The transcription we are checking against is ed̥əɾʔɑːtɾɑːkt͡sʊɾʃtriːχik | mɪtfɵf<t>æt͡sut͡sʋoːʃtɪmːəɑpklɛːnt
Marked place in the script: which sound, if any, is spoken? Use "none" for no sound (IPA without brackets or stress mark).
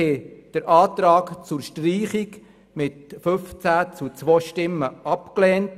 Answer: t͡s